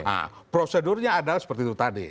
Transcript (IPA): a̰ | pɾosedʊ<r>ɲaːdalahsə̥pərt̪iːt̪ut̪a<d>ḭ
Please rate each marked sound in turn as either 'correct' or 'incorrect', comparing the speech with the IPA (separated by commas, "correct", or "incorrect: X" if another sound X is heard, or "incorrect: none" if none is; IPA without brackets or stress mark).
correct, correct